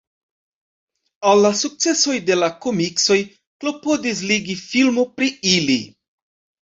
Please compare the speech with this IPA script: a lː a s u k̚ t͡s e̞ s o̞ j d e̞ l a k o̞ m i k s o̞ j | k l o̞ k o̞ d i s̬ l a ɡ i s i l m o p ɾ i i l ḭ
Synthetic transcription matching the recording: a lː a s u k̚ t͡s e̞ s o̞ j d e̞ l a k o̞ m i k s o̞ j | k l o̞ p o̞ d i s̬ l i ɡ i f i l m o p ɾ i i l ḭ